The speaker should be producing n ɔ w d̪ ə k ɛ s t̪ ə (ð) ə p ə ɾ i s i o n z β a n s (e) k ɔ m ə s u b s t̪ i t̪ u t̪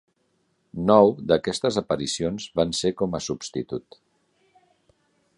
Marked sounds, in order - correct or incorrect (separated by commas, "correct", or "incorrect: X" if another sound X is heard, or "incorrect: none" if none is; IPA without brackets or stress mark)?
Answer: incorrect: z, correct